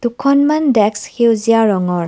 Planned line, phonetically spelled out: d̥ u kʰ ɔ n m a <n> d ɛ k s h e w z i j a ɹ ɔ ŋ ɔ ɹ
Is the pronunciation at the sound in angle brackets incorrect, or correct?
correct